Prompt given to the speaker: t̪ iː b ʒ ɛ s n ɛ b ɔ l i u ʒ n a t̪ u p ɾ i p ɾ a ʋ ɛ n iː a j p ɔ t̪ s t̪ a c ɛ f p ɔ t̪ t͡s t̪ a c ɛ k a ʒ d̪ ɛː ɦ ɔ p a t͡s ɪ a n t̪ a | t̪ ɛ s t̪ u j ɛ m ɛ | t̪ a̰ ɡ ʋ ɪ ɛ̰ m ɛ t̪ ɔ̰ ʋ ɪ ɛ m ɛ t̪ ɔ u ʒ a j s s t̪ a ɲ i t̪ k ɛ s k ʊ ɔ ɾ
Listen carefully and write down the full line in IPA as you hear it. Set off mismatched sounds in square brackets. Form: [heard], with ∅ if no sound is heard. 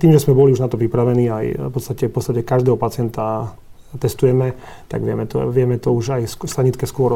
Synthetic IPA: t̪ iː [m] ʒ ɛ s [m] ɛ b ɔ l i u ʒ n a t̪ [ɔ] p ɾ i p ɾ a ʋ ɛ n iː a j p ɔ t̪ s t̪ a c ɛ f p ɔ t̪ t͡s t̪ a c ɛ k a ʒ d̪ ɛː ɦ ɔ p a t͡s ɪ [ɛ] n t̪ a | t̪ ɛ s t̪ u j ɛ m ɛ | t̪ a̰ ɡ ʋ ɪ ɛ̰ m ɛ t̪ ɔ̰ ʋ ɪ ɛ m ɛ t̪ ɔ u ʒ a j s s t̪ a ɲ i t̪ k ɛ s k ʊ ɔ ɾ